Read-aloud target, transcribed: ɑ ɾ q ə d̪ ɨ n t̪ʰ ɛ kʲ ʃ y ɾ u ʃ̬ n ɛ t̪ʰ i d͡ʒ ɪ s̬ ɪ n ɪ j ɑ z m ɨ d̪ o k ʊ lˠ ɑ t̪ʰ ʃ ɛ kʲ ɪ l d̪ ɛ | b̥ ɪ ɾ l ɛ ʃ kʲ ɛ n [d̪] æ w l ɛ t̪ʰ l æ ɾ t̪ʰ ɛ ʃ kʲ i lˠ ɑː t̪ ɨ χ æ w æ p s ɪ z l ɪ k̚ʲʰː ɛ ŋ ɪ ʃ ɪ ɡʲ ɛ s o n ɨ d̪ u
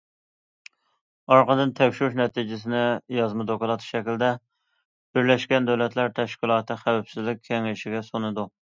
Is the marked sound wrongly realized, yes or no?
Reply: no